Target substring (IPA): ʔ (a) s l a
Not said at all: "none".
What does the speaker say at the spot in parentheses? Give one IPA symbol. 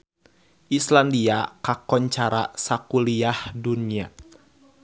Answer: i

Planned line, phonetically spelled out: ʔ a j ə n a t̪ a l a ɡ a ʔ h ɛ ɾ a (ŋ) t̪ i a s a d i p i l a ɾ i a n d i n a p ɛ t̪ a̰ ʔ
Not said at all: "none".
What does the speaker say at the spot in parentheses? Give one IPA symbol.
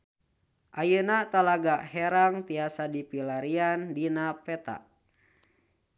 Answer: ŋ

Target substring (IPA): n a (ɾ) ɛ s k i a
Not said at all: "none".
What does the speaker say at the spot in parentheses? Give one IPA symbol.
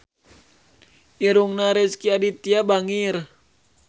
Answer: ɾ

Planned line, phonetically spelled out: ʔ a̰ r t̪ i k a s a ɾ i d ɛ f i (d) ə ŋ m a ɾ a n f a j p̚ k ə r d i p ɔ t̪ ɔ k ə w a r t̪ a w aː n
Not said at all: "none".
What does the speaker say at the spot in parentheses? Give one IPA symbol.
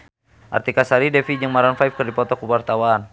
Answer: d͡ʒ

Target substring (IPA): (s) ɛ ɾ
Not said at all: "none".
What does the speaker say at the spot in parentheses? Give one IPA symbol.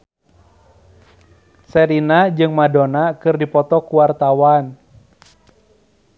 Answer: s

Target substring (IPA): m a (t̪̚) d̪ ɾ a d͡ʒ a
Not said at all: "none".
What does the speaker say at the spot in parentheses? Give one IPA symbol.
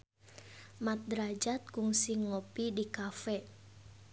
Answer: t̪̚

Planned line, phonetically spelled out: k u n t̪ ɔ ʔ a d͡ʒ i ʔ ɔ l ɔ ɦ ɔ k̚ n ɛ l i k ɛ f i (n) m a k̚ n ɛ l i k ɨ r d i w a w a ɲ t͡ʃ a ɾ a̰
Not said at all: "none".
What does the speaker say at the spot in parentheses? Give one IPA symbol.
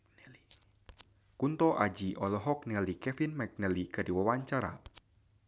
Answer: n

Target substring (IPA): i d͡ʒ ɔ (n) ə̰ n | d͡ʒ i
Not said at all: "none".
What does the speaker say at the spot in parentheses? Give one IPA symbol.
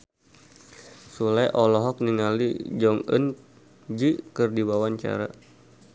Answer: ŋ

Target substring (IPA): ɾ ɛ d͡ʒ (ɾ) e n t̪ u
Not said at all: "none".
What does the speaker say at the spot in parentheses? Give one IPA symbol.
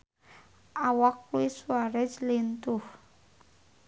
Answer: l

